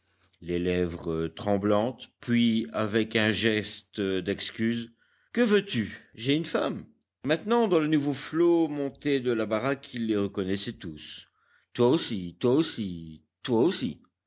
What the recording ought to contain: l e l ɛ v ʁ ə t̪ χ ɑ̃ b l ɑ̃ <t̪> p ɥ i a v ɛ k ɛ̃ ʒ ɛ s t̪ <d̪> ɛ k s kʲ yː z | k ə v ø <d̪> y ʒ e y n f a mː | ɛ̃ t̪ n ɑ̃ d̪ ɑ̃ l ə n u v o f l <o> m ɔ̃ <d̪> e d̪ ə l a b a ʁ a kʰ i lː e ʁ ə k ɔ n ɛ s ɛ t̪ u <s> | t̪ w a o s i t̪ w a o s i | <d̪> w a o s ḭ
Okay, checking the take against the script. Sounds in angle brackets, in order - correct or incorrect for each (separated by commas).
correct, correct, incorrect, correct, incorrect, correct, incorrect